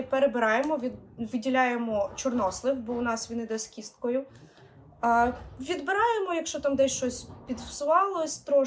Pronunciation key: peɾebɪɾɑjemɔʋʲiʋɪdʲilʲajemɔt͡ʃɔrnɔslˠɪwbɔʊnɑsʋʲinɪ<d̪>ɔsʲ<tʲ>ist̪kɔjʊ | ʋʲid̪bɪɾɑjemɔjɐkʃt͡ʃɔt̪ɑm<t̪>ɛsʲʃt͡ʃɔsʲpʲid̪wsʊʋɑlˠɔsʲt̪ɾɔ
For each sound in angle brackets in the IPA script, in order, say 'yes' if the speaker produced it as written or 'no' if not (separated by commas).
yes, no, no